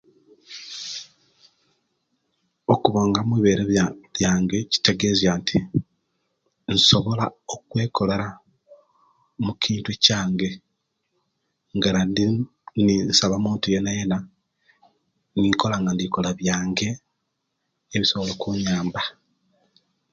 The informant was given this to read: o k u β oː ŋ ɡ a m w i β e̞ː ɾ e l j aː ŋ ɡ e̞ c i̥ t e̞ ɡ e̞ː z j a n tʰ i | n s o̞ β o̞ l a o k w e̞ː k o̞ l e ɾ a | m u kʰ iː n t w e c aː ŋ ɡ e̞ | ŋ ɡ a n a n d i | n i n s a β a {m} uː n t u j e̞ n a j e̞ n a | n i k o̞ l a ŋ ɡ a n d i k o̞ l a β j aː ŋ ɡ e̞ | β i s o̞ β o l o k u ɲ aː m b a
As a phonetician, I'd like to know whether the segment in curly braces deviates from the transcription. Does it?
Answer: no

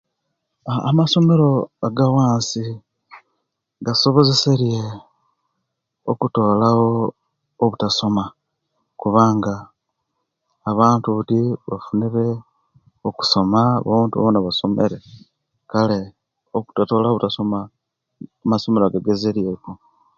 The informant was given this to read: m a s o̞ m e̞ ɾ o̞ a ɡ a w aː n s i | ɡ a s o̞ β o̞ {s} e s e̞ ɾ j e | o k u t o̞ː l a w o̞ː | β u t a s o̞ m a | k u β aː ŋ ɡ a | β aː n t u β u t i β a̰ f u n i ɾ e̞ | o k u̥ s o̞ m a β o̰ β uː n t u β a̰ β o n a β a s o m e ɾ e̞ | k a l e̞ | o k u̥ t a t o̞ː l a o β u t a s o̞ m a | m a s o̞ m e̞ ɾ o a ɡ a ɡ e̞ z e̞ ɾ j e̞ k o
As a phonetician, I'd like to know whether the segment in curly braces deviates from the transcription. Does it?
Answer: yes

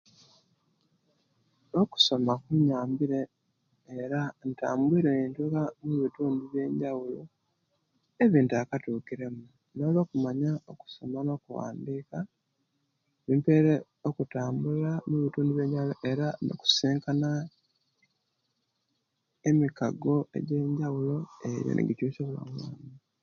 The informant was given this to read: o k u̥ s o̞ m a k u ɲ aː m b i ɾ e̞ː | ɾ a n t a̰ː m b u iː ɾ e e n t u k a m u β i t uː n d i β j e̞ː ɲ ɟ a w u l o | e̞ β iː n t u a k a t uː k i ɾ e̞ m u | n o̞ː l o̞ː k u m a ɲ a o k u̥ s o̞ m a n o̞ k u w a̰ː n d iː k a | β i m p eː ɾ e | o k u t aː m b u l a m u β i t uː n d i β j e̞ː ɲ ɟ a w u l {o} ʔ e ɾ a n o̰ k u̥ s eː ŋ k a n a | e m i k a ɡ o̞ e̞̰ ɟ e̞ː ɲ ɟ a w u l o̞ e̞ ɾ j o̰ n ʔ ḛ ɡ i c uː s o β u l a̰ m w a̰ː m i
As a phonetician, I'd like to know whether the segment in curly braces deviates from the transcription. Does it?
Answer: no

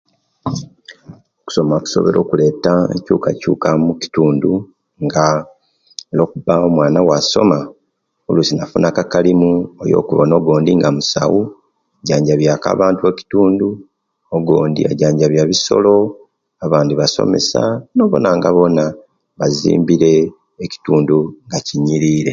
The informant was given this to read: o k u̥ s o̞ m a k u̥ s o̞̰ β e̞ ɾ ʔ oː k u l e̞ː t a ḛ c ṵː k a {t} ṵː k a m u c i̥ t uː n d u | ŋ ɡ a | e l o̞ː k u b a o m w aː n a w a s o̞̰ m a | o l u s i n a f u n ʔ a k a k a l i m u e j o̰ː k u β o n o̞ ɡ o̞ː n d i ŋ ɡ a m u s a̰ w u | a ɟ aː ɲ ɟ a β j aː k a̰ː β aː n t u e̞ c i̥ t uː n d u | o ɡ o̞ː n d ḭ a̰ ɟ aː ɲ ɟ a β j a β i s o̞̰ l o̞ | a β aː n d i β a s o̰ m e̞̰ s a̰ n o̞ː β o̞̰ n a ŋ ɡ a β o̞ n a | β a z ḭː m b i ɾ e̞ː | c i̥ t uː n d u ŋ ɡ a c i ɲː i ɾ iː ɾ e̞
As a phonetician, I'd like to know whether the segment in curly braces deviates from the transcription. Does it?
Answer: yes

